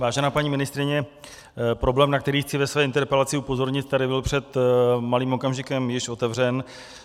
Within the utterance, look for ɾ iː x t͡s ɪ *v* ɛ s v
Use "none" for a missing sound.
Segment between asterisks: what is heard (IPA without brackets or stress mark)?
v